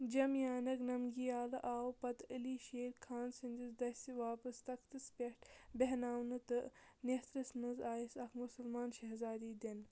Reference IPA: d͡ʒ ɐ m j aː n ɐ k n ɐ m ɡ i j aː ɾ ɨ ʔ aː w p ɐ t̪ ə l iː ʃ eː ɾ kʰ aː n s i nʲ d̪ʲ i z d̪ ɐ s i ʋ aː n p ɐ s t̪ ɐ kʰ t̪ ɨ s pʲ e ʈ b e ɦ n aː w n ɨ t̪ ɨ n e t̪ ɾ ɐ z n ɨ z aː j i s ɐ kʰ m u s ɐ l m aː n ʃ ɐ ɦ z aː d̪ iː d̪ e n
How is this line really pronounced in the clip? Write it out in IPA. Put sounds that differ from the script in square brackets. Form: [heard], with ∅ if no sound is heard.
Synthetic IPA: d͡ʒ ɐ m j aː n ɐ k n ɐ m ɡ i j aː [l] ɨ ʔ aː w p ɐ t̪ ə l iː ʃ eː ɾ kʰ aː n s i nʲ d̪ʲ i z d̪ ɐ s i ʋ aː [∅] p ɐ s t̪ ɐ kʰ t̪ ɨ s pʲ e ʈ b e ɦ n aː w n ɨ t̪ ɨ n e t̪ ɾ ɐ [s] n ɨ z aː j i s ɐ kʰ m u s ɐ l m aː n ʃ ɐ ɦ z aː d̪ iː d̪ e n